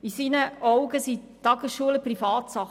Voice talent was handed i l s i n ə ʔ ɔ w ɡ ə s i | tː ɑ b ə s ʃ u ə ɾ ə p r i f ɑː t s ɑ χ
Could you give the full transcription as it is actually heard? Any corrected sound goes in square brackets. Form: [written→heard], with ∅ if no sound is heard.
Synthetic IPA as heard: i [l→∅] s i n ə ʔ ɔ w ɡ ə s i | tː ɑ [b→ɡ] ə s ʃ u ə [ɾ→l] ə p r i f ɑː t s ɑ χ